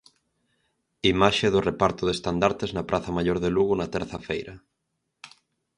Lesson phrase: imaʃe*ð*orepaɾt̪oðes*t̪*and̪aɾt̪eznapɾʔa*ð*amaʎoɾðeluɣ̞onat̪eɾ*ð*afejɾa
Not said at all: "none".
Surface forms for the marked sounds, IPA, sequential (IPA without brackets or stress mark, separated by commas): ð, t̪, θ, θ